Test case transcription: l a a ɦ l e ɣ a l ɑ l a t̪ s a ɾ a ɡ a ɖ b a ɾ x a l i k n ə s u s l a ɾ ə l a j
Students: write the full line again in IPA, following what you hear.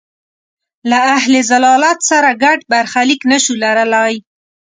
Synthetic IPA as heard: l a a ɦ l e z a l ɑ l a t̪ s a ɾ a ɡ a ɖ b a ɾ x a l i k n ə ʃ u l a ɾ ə l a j